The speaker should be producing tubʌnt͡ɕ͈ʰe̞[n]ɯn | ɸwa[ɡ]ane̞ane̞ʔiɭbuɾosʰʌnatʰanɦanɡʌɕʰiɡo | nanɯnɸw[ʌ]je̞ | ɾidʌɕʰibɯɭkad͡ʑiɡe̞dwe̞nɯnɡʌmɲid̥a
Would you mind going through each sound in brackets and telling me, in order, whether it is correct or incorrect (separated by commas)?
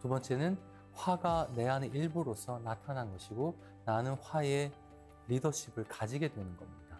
correct, correct, incorrect